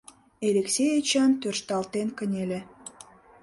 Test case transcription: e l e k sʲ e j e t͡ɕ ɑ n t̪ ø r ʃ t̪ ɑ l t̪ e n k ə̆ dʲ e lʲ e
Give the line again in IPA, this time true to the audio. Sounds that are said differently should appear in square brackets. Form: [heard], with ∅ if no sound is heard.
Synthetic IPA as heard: e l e k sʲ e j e t͡ɕ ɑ n t̪ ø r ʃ t̪ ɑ l t̪ e n k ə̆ [nʲ] e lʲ e